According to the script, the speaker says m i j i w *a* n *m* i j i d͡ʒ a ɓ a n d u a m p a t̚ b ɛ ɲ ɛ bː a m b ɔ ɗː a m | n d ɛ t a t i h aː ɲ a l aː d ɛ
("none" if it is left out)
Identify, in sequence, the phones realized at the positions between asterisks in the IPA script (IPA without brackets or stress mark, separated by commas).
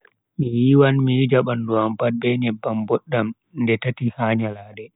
a, m